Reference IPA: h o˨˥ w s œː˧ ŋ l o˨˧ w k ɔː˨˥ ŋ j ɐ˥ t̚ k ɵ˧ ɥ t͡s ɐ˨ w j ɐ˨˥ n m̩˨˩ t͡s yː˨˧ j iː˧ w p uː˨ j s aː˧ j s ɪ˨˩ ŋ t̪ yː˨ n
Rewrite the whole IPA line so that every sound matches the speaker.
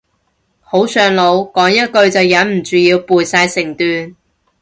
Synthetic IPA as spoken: h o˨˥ w s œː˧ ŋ l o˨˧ w k ɔː˨˥ ŋ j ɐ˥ t̚ k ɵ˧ ɥ t͡s ɐ˨ w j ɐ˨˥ n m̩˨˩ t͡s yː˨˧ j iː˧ w p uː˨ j s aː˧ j s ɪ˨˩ ŋ t̪ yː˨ n